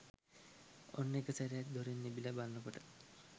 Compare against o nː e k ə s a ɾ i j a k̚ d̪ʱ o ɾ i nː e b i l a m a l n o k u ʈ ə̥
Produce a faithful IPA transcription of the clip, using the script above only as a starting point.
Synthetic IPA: o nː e k ə s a ɾ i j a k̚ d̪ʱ o ɾ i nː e b i l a b a l n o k o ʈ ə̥